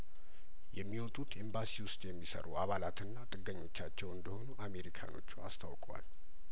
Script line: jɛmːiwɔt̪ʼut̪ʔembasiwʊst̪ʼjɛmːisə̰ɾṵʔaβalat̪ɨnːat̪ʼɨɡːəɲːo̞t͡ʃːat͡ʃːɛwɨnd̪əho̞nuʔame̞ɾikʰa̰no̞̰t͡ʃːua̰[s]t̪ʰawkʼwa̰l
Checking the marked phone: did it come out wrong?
no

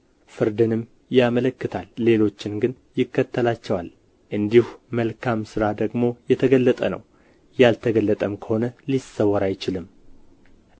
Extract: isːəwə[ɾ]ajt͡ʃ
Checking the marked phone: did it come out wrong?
no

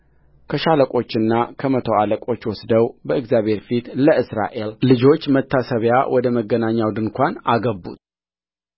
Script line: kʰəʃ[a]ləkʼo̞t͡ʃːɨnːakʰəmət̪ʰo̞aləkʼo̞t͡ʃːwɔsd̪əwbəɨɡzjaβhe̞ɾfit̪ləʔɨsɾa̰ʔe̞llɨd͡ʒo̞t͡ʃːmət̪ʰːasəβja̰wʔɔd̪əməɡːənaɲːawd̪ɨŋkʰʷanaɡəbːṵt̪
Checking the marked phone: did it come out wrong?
no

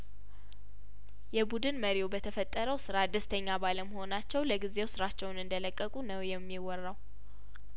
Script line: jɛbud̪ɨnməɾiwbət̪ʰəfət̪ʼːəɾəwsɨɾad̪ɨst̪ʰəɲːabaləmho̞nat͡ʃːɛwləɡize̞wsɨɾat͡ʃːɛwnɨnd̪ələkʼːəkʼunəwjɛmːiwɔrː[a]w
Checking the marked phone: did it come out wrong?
no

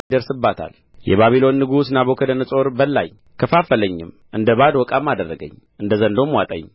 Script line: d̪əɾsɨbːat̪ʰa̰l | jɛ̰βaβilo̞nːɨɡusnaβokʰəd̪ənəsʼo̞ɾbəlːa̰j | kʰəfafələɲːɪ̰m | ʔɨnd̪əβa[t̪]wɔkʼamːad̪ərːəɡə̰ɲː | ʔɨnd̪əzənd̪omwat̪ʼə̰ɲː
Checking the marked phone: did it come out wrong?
yes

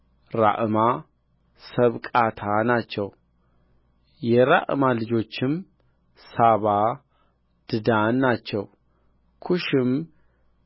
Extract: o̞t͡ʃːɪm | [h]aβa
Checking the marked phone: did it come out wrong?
yes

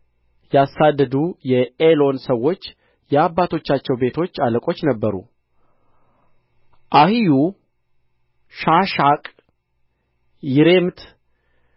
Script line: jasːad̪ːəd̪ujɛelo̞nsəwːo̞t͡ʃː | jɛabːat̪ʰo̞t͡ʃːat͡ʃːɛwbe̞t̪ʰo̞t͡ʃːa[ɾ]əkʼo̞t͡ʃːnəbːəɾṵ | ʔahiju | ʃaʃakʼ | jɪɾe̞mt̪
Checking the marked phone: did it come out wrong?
yes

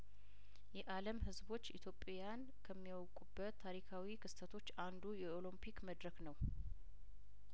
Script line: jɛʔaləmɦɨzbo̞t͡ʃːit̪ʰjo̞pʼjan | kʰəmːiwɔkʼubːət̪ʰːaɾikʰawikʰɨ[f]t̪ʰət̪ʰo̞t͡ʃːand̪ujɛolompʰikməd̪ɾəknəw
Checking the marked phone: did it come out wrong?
yes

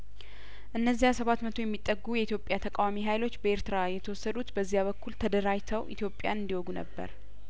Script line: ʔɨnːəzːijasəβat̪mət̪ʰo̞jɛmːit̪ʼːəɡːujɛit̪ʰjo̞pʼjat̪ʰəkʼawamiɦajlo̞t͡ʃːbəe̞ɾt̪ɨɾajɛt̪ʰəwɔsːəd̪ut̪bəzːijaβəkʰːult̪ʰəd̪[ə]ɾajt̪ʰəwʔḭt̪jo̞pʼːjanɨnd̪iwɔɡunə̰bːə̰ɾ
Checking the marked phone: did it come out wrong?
no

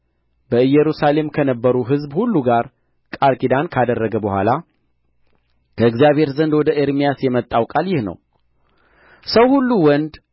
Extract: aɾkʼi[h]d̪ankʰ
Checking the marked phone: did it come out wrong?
yes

